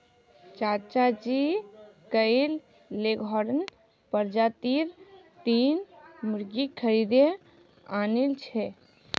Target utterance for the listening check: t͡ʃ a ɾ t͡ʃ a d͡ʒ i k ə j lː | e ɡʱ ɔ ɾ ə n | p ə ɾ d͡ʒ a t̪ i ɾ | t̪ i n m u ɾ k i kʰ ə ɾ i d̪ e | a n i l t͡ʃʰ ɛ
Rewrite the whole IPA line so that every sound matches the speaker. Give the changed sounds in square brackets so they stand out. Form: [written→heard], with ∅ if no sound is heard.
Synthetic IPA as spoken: t͡ʃ a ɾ t͡ʃ a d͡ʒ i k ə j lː | e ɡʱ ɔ ɾ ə n | p ə ɾ d͡ʒ a t̪ i ɾ | t̪ i n m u ɾ [k→ɡ] i kʰ ə ɾ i d̪ e | a n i l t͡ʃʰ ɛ